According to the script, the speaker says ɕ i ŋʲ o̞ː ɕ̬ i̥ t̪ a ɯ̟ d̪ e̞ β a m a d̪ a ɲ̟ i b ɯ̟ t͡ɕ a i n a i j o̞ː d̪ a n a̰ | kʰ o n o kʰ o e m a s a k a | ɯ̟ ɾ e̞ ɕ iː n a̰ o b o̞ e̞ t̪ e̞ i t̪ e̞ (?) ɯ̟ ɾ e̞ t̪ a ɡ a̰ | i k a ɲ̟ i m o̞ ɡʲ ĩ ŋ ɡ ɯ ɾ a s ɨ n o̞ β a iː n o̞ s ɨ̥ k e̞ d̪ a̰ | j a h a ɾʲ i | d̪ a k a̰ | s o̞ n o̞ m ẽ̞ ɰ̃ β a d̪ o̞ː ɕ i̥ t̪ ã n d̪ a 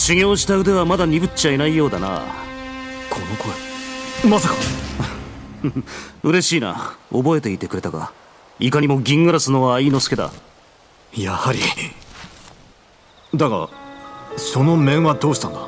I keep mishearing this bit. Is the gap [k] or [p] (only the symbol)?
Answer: k